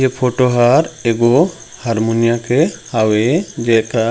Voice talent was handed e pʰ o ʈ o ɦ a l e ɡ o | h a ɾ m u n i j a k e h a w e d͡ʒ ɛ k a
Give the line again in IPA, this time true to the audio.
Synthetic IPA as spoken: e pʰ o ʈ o ɦ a ɾ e ɡ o | h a ɾ m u n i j a k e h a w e d͡ʒ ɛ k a